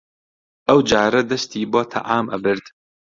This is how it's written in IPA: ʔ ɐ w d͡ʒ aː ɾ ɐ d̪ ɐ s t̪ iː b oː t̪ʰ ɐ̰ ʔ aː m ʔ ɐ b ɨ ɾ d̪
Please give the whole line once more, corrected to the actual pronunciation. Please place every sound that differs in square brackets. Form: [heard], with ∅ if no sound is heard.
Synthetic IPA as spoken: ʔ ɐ w d͡ʒ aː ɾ ɐ d̪ ɐ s t̪ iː b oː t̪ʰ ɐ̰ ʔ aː m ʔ ɐ b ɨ ɾ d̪